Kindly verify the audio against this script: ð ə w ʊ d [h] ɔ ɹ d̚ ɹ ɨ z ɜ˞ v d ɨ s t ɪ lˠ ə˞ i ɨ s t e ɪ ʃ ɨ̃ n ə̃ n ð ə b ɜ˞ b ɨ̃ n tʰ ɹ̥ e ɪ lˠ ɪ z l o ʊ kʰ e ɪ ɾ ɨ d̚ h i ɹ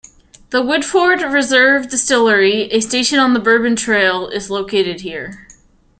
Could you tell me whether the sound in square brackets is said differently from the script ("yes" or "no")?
yes